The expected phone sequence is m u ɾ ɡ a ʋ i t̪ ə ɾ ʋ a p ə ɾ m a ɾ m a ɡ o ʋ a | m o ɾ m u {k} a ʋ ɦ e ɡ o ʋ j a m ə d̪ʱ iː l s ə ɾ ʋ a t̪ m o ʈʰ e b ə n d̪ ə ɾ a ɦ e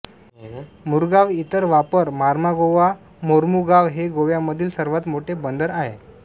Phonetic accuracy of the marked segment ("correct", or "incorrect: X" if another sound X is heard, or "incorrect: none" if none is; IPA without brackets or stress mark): incorrect: ɡ